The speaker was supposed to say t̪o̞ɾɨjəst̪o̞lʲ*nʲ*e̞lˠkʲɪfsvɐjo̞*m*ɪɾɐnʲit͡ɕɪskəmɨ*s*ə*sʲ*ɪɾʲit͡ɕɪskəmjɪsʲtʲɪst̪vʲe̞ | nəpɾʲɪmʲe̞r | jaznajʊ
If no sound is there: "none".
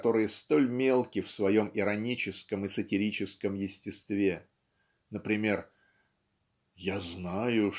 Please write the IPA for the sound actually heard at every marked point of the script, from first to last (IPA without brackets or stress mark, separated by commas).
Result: mʲ, m, s, tʲ